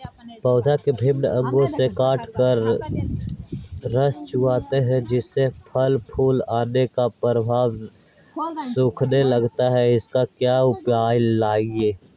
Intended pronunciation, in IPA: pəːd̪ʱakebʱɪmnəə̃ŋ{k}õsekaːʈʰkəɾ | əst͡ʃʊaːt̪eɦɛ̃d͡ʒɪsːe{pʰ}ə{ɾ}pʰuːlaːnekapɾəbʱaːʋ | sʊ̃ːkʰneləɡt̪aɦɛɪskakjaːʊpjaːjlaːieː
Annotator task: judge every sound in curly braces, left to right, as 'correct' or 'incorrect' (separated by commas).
incorrect, correct, incorrect